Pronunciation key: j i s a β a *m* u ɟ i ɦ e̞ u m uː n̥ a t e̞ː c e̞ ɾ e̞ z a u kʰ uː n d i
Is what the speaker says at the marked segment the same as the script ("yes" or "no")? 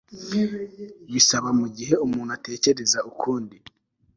yes